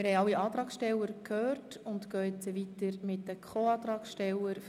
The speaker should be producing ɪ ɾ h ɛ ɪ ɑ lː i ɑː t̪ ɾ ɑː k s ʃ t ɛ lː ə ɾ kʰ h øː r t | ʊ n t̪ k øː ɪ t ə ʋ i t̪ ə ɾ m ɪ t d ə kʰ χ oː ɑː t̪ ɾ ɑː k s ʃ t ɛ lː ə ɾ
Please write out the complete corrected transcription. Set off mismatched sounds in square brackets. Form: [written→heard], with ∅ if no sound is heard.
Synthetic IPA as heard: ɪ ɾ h ɛ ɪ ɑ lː i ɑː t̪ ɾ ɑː k s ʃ t ɛ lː ə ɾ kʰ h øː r t | ʊ n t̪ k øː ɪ [t→t͡s] ə ʋ i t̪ ə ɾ m ɪ t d ə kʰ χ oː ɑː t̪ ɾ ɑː k s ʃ t ɛ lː ə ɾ